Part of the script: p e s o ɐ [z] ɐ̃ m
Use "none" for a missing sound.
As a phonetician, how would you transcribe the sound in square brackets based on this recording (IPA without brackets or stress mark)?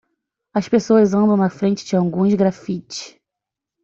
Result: z